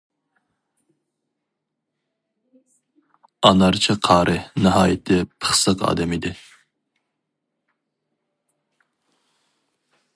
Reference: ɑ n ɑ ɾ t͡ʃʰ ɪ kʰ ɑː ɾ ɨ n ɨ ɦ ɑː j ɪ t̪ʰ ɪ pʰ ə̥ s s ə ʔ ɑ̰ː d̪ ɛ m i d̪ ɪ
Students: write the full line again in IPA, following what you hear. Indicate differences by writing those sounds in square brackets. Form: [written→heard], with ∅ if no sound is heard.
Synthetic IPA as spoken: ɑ n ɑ ɾ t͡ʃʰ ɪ [kʰ→qʰ] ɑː ɾ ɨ n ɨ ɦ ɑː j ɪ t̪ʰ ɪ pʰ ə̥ [s→χ] s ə [ʔ→q] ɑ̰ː d̪ ɛ m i d̪ ɪ